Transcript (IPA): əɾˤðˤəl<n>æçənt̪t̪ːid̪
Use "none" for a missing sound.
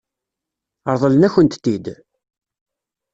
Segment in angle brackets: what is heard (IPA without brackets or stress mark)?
n